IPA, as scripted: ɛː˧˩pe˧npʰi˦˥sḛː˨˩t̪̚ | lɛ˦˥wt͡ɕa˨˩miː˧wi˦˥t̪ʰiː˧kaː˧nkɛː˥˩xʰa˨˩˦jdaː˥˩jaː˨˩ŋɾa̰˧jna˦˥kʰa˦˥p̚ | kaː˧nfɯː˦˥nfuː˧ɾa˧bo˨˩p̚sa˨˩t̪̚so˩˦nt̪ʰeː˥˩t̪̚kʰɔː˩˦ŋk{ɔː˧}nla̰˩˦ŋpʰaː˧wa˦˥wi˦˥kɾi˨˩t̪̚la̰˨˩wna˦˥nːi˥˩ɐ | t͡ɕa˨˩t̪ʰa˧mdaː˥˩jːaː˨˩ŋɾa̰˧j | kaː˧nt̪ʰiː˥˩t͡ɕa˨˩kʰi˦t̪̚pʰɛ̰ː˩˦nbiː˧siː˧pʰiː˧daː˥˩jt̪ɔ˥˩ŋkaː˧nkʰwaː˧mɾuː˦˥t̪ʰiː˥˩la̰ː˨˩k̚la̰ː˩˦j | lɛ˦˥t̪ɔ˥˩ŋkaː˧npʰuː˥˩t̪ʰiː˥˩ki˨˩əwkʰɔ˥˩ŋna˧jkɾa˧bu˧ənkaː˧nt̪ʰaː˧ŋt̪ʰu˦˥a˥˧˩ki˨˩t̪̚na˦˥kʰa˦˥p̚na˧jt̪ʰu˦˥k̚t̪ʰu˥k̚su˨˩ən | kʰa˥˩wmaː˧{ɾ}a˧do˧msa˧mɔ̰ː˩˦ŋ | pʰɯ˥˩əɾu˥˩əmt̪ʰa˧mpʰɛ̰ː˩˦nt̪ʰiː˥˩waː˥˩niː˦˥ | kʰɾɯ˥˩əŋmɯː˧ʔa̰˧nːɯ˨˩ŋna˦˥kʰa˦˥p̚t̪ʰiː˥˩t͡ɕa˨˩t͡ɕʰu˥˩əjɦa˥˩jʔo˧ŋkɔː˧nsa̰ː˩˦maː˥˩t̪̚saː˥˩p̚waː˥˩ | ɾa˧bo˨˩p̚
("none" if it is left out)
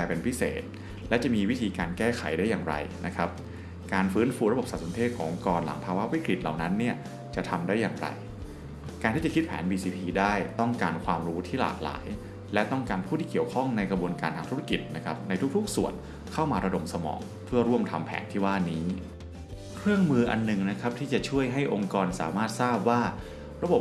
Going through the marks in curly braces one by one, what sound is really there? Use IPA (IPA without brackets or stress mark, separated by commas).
ɔː˧, ɾ